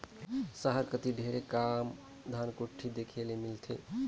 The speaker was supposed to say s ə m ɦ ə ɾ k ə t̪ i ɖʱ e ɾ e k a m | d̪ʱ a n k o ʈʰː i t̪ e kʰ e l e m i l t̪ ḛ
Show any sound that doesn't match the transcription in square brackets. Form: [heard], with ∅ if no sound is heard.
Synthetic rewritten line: s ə [∅] ɦ ə ɾ k ə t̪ i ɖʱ e ɾ e k a m | d̪ʱ a n k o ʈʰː i [d̪] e kʰ e l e m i l [t̪ʰ] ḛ

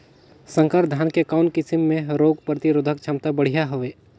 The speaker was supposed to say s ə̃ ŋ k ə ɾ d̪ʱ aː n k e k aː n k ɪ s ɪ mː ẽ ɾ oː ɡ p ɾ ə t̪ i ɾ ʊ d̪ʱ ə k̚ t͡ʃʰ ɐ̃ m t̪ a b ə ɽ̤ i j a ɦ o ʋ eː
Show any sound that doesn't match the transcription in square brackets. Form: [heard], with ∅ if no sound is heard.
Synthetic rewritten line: s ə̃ ŋ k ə ɾ d̪ʱ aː n k e k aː n k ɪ s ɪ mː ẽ ɾ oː ɡ p ɾ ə t̪ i ɾ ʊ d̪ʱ ə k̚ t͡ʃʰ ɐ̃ m t̪ a b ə ɽ̤ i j a ɦ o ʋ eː

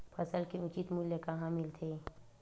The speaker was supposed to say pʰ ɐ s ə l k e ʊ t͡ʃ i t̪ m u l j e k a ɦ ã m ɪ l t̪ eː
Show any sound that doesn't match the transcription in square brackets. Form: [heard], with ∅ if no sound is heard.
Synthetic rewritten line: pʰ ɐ s ə l k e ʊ t͡ʃ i t̪ m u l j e k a ɦ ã m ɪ l [t̪ʰ] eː

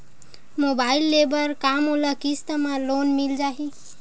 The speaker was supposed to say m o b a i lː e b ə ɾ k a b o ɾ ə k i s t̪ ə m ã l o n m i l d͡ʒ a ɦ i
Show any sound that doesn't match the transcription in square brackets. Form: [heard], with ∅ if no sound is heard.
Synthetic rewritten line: m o b a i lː e b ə ɾ k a [m] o [l] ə k i s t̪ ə m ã l o n m i l d͡ʒ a ɦ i

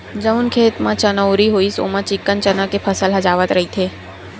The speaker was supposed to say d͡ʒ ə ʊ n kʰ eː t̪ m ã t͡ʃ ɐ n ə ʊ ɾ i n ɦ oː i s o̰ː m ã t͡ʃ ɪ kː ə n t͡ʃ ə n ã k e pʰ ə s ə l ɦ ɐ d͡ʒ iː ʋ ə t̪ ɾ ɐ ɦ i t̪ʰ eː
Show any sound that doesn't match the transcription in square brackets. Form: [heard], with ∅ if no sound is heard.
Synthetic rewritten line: d͡ʒ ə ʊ n kʰ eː t̪ m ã t͡ʃ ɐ n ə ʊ ɾ i [∅] ɦ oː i s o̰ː m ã t͡ʃ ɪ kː ə n t͡ʃ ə n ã k e pʰ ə s ə l ɦ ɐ d͡ʒ [aː] ʋ ə t̪ ɾ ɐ ɦ i t̪ʰ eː

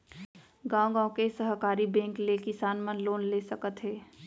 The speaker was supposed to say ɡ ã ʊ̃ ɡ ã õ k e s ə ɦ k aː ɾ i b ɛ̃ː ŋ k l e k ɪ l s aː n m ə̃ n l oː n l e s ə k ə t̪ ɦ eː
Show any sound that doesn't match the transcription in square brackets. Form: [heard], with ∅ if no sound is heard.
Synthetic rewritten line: ɡ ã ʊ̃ ɡ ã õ k e s ə ɦ k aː ɾ i b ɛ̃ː ŋ k l e k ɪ [∅] s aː n m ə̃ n l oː n l e s ə k ə t̪ ɦ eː

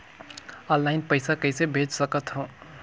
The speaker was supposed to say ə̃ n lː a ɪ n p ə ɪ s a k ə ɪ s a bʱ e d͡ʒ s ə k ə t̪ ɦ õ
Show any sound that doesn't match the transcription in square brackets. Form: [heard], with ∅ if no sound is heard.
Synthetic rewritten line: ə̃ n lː a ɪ n p ə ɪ s a k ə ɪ s [e] bʱ e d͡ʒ s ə k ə t̪ ɦ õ

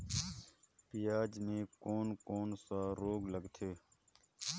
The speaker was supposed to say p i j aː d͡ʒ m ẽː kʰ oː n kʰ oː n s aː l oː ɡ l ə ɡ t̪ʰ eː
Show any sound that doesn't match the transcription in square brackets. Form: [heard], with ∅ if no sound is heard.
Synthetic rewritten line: p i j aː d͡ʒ m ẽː [k] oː n [k] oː n s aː [ɾ] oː ɡ l ə ɡ t̪ʰ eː

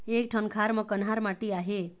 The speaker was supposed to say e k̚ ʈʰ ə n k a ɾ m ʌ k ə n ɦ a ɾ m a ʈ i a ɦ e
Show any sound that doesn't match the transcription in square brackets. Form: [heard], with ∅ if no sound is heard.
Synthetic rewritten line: e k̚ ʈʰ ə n [kʰ] a ɾ m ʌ k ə n ɦ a ɾ m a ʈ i a ɦ e

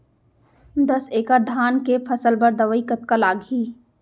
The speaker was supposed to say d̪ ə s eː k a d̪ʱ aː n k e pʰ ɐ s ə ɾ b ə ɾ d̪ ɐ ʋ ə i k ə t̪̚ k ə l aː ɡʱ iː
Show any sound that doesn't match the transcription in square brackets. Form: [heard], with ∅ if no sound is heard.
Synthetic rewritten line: d̪ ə s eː k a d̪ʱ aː n k e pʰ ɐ s ə [l] b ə ɾ d̪ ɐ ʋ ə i k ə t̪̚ k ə l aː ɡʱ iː

